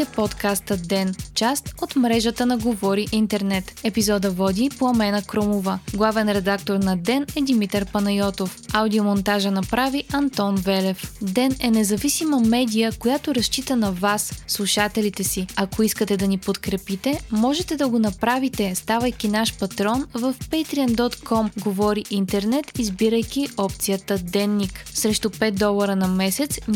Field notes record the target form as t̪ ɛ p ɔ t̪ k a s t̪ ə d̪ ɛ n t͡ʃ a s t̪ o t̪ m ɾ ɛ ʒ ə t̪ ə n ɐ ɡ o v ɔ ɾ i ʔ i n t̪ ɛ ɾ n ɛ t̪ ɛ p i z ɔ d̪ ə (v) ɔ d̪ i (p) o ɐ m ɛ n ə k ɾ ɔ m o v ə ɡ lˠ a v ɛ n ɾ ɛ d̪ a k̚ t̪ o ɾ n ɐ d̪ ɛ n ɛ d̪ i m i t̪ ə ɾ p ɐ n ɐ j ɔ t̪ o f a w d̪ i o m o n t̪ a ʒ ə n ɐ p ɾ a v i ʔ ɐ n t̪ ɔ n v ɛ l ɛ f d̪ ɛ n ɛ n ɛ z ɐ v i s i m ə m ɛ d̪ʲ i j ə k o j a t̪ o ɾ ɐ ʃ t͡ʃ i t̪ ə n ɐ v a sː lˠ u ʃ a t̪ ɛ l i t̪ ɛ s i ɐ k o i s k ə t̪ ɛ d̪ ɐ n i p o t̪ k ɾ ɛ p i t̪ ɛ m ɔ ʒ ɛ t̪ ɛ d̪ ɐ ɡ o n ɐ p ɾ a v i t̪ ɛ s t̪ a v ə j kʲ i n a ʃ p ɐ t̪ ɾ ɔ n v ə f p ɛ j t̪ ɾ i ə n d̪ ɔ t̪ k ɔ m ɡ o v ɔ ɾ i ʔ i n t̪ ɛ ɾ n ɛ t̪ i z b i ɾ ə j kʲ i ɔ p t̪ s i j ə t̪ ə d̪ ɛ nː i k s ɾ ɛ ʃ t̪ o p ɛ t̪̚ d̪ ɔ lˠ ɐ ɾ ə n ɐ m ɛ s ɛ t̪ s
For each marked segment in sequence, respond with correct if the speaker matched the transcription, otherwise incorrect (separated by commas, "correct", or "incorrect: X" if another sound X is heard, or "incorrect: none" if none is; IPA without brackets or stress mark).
correct, correct